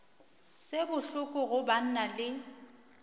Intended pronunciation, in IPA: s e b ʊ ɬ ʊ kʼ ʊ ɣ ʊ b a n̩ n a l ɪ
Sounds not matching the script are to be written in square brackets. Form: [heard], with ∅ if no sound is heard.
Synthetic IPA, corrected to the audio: s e b ʊ ɬ ʊ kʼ ʊ ɣ ʊ b a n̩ n a l ɪ